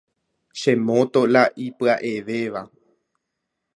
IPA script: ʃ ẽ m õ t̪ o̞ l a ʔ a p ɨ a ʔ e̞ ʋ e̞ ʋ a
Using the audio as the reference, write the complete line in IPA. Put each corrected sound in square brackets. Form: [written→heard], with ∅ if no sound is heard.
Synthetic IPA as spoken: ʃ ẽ m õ t̪ o̞ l a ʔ [a→i] p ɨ a ʔ e̞ ʋ e̞ ʋ a